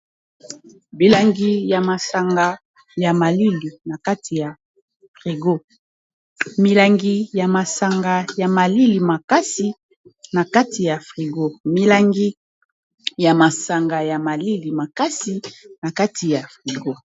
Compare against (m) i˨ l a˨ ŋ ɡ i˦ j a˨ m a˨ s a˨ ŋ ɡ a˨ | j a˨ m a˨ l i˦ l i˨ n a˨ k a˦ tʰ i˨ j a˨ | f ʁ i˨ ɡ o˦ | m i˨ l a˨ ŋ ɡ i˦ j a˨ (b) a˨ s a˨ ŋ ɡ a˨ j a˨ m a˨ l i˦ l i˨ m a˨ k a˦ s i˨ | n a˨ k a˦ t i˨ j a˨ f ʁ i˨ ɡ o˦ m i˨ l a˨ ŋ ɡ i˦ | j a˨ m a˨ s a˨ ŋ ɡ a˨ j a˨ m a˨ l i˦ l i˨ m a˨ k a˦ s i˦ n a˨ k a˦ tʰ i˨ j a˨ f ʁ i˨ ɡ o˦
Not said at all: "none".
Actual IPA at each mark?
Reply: b, m

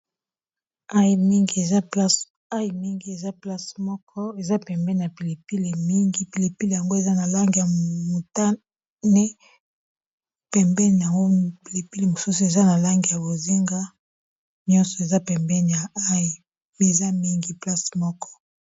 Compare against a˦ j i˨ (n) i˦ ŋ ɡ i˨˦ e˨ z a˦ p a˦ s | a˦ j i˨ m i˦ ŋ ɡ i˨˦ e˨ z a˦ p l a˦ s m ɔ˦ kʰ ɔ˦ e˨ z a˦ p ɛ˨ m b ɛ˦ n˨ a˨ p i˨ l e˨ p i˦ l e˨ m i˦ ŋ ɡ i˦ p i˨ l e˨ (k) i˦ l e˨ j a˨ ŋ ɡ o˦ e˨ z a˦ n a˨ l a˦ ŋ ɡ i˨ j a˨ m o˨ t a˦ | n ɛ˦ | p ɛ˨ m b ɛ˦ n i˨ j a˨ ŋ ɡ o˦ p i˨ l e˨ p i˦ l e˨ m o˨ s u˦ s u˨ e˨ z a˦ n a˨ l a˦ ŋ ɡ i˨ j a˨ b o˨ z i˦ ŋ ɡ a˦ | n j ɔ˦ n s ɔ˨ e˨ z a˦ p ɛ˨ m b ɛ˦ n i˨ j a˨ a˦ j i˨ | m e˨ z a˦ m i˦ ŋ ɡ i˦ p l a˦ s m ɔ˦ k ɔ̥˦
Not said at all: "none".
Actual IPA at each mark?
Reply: m, p

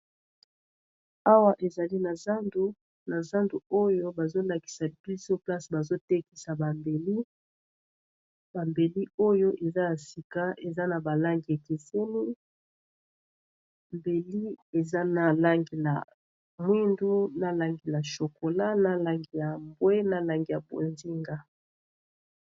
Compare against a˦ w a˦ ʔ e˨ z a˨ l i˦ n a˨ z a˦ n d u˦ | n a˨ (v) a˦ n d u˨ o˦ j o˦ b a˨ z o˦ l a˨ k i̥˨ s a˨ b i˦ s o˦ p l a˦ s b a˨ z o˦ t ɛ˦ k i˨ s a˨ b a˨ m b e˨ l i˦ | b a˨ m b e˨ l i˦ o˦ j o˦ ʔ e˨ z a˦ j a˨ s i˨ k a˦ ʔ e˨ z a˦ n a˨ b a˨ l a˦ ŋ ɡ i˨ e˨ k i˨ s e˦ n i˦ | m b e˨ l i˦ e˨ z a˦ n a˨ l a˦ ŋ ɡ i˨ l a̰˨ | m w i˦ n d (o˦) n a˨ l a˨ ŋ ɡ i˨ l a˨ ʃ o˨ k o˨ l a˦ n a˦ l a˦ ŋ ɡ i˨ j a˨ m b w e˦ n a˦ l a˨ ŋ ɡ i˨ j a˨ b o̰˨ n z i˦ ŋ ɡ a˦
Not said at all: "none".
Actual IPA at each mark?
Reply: z, u˦

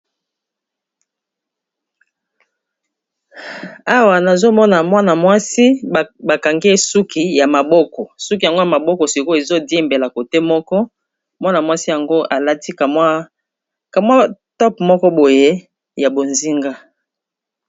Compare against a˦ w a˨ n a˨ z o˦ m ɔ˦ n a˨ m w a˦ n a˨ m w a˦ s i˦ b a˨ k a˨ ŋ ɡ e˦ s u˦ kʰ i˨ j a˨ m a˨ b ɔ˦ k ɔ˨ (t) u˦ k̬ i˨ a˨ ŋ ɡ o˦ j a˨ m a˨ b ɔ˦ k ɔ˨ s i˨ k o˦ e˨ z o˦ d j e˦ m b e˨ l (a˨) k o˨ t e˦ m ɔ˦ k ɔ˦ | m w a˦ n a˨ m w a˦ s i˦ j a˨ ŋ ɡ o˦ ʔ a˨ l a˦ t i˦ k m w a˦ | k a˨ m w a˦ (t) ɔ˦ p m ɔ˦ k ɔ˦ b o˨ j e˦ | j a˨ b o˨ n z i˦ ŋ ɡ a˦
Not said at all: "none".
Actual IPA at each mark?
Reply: s, a˨, t

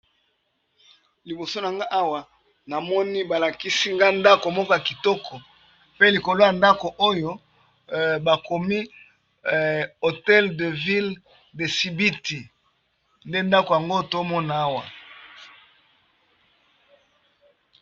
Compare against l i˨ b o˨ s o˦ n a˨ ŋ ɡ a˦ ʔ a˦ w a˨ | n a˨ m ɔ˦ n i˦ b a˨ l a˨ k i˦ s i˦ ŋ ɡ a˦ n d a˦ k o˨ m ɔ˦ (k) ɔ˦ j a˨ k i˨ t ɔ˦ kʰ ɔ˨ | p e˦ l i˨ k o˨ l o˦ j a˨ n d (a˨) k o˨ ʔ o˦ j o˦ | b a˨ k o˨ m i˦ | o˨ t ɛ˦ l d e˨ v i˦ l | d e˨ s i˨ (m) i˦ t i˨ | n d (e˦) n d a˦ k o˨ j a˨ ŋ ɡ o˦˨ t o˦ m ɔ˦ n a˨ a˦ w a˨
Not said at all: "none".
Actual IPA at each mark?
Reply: k, a˦, b, e˦

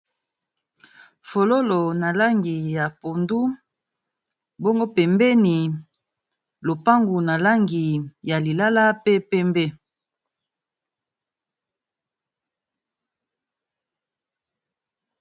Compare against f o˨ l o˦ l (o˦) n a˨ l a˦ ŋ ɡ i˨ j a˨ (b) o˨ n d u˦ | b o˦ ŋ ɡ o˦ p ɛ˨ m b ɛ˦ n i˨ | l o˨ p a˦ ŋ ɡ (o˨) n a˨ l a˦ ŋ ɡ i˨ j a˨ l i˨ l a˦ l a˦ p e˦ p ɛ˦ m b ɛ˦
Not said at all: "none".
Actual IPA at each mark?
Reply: o˨, p, u˨

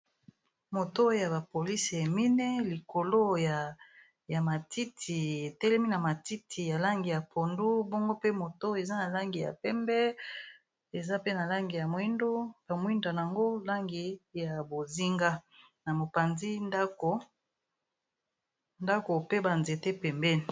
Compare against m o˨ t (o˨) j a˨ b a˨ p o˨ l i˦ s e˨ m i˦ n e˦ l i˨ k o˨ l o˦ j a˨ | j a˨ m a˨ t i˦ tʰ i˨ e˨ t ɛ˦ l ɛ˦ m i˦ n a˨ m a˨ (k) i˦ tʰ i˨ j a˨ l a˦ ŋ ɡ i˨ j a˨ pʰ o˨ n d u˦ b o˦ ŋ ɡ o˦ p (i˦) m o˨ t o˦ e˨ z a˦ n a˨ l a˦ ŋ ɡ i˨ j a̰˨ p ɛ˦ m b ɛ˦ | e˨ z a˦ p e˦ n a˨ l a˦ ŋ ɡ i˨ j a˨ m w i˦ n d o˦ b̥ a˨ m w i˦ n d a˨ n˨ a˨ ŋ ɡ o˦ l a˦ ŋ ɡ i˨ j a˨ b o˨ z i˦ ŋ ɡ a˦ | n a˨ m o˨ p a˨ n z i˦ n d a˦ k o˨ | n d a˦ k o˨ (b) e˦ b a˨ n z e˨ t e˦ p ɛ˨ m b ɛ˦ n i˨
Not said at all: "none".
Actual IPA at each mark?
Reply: o˦, t, e˦, p

